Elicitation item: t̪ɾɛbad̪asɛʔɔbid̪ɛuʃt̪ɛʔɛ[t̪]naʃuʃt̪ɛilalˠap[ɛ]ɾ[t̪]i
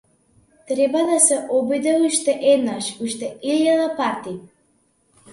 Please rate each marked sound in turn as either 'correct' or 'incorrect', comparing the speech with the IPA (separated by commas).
incorrect, incorrect, correct